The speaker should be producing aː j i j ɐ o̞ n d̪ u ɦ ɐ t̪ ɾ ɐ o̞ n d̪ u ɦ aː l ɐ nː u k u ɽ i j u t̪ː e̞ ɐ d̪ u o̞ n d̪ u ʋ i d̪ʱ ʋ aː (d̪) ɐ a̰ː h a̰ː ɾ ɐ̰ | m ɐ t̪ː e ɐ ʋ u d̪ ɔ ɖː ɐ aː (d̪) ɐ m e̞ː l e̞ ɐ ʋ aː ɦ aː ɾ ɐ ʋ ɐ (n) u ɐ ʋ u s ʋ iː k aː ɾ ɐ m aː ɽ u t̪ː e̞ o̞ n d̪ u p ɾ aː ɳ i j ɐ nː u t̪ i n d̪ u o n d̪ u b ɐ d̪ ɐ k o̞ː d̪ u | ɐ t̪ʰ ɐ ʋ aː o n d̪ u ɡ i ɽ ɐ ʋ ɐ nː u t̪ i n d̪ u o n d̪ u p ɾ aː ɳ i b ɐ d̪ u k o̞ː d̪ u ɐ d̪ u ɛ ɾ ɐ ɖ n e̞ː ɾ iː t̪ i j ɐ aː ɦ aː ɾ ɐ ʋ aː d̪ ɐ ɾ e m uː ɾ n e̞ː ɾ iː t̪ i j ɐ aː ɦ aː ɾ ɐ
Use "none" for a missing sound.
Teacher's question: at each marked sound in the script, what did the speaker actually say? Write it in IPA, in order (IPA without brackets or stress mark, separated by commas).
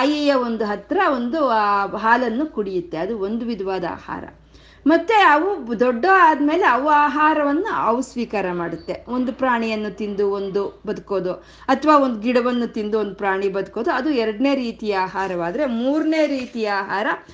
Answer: d̪, d̪, nː